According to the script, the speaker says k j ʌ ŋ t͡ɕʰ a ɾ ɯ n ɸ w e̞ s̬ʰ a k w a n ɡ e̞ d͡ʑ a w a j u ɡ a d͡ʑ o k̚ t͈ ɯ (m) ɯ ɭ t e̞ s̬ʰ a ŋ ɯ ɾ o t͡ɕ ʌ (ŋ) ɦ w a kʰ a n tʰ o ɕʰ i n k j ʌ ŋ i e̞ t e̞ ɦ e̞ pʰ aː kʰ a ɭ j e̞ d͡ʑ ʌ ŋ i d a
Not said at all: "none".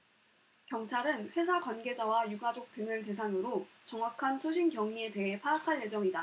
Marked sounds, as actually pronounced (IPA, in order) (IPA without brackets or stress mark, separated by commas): ŋ, ŋ